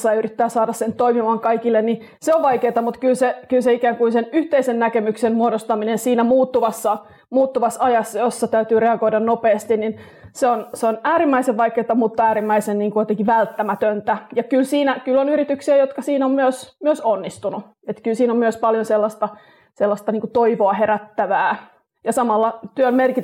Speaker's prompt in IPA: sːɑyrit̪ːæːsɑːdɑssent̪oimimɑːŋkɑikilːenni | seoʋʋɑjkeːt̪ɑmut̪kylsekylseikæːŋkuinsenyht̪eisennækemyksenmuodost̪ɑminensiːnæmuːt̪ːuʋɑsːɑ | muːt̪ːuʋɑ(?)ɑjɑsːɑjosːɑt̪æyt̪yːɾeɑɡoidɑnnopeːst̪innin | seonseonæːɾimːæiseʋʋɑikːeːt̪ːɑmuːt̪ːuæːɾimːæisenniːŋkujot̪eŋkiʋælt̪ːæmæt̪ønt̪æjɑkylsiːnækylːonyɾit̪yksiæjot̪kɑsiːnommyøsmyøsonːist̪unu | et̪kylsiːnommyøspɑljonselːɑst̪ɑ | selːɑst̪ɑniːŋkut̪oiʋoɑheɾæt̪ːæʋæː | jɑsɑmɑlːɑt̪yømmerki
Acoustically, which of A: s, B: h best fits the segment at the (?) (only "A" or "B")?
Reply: A